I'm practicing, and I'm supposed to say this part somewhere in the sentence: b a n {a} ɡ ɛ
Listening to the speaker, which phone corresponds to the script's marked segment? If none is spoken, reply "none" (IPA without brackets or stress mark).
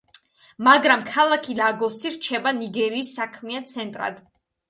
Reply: i